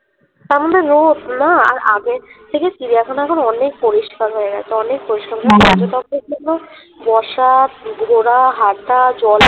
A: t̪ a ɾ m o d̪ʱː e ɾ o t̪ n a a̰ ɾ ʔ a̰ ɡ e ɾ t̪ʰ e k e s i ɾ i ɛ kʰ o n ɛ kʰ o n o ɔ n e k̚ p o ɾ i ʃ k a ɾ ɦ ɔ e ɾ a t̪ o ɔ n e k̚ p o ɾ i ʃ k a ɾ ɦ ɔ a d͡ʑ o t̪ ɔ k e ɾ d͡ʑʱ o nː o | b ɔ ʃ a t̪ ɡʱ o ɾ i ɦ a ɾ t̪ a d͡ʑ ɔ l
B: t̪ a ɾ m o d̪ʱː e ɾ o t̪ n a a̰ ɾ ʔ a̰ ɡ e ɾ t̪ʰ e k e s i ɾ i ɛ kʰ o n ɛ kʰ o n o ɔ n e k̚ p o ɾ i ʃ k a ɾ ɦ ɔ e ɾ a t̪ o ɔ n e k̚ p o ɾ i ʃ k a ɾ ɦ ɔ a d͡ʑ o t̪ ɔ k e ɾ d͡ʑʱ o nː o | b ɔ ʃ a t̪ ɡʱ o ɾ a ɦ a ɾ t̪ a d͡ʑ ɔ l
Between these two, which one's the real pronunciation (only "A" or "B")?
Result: B